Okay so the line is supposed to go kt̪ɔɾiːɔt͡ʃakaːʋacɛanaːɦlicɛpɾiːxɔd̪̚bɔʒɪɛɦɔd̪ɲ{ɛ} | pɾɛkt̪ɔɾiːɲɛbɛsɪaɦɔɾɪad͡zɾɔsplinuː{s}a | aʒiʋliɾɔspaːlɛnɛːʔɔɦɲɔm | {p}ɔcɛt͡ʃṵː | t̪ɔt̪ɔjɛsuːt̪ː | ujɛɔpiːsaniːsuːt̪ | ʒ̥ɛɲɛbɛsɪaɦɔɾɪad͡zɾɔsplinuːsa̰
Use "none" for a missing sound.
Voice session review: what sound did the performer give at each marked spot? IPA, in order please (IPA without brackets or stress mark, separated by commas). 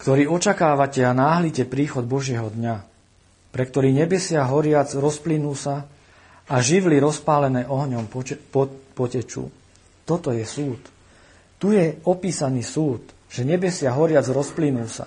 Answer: a, s, p